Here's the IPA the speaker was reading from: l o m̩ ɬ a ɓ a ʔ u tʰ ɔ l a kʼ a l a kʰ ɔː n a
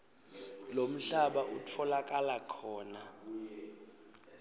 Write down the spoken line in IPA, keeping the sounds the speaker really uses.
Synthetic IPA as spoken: l o m̩ ɬ a ɓ a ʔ u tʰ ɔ l a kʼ a l a kʰ ɔː n a